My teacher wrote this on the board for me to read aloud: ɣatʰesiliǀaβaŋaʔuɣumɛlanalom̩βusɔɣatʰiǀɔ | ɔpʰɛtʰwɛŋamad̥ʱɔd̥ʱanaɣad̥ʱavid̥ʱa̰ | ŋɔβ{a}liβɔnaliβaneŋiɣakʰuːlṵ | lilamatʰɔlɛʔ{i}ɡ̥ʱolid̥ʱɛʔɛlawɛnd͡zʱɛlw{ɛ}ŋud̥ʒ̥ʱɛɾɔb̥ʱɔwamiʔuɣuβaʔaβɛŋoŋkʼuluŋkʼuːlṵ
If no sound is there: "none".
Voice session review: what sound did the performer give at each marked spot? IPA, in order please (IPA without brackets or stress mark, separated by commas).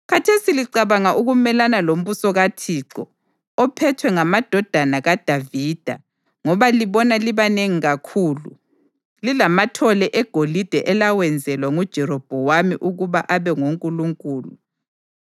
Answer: a, ɛ, a